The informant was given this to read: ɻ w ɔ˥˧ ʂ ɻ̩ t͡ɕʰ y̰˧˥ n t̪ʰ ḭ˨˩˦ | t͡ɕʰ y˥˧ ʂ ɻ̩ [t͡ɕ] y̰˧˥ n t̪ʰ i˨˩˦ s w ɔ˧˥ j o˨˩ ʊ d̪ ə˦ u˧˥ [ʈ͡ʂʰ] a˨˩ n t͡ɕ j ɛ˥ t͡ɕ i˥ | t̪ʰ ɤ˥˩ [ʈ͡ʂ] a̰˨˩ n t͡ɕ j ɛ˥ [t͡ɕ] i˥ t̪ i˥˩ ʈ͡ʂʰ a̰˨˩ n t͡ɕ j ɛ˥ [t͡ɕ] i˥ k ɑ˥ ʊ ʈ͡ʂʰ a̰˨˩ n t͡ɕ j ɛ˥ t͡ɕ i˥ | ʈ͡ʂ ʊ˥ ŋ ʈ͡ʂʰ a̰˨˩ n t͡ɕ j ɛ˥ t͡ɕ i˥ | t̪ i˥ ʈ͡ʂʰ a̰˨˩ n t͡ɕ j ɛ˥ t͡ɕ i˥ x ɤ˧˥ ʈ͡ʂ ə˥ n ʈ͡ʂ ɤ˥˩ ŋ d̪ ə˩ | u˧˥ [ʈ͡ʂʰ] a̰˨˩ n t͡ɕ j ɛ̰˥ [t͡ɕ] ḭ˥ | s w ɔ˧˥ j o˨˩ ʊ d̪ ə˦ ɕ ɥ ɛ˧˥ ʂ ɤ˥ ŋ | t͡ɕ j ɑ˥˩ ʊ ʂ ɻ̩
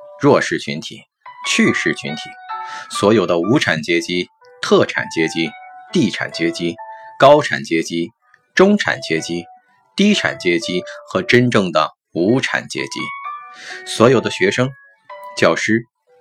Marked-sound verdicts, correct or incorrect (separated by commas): incorrect, correct, incorrect, correct, correct, correct, correct